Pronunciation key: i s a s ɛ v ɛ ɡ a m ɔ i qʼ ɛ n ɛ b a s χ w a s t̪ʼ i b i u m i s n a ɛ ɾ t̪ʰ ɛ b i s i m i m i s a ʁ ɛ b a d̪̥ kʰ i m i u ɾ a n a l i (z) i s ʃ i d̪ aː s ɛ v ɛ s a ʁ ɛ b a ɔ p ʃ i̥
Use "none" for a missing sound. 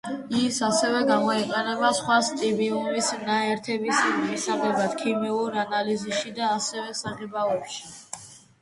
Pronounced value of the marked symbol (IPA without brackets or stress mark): z